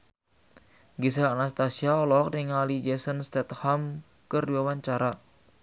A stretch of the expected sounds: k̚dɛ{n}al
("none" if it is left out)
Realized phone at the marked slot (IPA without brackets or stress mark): ŋ